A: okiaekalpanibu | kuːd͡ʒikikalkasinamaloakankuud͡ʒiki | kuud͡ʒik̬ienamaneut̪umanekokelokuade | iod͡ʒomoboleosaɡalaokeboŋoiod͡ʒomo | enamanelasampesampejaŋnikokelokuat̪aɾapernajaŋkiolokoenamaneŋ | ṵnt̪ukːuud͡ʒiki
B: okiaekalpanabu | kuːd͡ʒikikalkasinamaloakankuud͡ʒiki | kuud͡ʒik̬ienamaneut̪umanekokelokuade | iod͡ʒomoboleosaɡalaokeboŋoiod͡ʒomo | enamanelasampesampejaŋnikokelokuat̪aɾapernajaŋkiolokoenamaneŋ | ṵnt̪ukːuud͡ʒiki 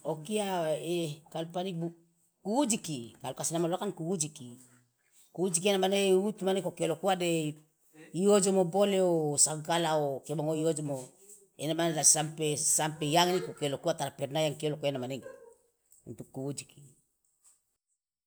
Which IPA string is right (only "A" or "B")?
A